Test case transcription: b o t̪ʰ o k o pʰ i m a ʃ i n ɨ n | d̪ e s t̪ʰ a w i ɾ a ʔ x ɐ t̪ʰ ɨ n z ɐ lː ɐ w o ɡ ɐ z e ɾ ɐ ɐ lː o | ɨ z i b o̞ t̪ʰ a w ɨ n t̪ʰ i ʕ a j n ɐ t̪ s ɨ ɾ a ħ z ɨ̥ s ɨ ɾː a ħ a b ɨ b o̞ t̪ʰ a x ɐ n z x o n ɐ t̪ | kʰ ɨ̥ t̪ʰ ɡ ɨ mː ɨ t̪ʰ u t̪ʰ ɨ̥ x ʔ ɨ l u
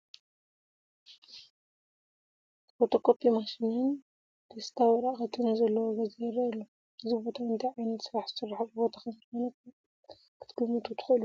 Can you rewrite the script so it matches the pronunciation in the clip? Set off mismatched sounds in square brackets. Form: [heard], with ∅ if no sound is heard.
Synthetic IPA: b o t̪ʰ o k o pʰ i m a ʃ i n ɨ n | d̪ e s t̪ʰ a w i ɾ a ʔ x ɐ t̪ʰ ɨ n z ɐ lː ɐ w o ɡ ɐ z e ɾ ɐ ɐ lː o | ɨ z i b o̞ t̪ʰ a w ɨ n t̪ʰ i ʕ a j n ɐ t̪ s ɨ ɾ a ħ z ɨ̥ s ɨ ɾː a ħ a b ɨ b o̞ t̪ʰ a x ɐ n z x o n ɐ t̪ | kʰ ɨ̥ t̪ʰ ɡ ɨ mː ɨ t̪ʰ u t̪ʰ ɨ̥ x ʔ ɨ l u